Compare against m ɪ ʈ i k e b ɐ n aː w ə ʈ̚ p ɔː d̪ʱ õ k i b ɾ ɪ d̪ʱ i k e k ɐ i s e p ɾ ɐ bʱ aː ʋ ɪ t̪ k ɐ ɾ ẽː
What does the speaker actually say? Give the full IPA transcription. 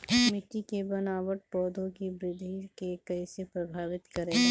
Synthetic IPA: m ɪ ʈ i k e b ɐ n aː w ə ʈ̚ p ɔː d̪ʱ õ k i b ɾ ɪ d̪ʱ i k e k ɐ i s e p ɾ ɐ bʱ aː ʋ ɪ t̪ k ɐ ɾ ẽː